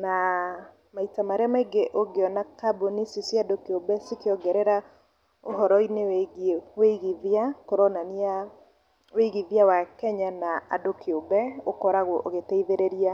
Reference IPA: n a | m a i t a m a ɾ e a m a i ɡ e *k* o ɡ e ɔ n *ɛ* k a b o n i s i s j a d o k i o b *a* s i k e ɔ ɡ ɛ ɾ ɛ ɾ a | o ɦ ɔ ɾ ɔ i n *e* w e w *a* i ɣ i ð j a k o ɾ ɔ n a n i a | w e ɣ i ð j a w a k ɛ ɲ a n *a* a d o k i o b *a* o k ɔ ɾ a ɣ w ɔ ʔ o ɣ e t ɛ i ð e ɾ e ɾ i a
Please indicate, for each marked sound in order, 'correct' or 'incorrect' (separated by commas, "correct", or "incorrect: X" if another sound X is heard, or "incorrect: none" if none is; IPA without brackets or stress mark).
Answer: incorrect: ʔ, incorrect: a, incorrect: ɛ, correct, incorrect: e, correct, incorrect: ɛ